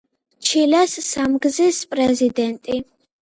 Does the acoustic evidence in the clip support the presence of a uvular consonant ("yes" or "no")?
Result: no